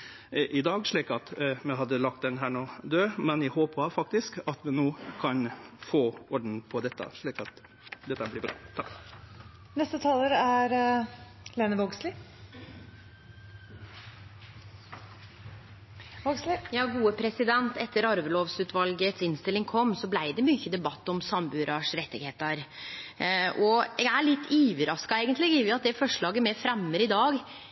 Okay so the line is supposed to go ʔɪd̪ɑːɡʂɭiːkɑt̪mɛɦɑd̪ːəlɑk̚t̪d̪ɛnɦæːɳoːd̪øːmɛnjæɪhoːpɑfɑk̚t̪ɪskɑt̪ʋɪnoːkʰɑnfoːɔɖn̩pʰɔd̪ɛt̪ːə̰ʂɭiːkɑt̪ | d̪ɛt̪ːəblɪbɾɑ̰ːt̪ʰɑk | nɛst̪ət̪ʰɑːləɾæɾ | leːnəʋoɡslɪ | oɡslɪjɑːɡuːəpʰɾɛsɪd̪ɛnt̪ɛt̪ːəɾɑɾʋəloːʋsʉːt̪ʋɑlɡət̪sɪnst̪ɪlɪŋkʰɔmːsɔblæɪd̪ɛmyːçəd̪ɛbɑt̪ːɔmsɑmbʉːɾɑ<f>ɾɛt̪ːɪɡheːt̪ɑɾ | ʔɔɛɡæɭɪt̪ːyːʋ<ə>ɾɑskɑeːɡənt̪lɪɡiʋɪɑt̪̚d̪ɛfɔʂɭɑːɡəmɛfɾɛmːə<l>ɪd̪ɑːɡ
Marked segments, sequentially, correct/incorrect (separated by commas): incorrect, correct, incorrect